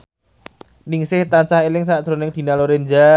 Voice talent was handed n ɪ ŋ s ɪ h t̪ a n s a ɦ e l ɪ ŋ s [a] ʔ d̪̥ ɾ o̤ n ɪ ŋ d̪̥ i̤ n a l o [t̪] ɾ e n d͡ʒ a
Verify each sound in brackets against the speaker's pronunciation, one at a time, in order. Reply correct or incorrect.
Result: correct, incorrect: none

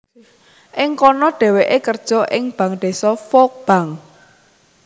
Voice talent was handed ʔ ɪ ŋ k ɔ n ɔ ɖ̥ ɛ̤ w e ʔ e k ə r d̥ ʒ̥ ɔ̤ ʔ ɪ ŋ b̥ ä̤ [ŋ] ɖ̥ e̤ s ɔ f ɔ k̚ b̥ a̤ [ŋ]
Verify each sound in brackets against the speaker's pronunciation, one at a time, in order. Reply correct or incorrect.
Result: correct, correct

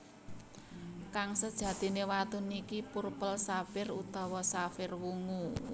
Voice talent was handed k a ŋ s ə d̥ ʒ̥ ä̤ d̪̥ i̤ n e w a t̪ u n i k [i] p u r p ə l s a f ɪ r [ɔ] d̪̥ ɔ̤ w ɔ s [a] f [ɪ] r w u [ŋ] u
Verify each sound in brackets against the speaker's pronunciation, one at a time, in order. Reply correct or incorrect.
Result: correct, incorrect: u, correct, correct, correct

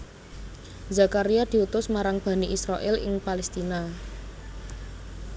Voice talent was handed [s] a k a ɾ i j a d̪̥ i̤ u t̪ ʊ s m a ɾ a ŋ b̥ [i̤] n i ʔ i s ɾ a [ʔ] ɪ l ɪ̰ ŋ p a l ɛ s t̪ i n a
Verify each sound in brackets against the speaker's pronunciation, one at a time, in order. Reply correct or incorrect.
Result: incorrect: z, incorrect: a̤, correct

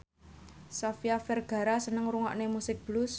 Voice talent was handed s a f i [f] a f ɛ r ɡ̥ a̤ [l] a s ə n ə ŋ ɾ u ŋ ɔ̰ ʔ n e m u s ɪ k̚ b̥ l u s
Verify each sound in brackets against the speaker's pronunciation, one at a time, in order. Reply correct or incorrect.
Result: incorrect: none, incorrect: ɾ

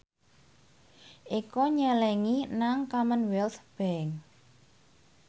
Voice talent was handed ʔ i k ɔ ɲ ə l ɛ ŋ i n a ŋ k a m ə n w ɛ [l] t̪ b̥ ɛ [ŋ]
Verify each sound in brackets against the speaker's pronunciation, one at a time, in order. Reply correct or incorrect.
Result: correct, correct

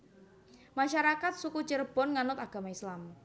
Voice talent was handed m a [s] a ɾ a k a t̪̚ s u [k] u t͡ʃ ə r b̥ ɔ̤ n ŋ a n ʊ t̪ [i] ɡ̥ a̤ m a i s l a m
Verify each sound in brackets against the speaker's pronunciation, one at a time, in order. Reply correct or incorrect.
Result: incorrect: ʃ, correct, incorrect: a

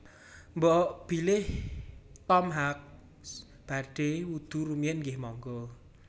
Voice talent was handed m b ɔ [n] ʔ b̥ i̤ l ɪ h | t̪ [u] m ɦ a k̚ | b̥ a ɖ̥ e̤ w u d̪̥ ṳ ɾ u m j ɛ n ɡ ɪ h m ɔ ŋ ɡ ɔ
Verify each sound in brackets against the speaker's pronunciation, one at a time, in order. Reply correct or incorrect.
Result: incorrect: none, incorrect: ɔ

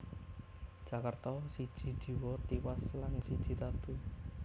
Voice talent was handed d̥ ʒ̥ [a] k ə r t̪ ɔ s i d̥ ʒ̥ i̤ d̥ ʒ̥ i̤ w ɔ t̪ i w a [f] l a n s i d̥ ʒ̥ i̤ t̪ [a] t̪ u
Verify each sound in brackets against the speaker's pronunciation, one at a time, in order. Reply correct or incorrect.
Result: correct, incorrect: s, correct

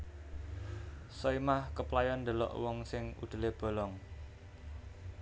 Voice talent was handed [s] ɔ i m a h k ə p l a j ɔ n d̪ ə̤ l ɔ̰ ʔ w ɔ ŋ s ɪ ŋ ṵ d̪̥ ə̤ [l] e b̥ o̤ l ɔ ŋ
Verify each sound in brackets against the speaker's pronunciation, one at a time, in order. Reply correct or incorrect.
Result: correct, correct

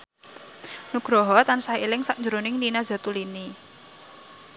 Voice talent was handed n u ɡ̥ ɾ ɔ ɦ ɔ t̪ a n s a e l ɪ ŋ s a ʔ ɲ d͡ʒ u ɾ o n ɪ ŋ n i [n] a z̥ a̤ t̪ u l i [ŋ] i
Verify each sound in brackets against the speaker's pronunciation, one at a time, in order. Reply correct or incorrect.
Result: correct, incorrect: n

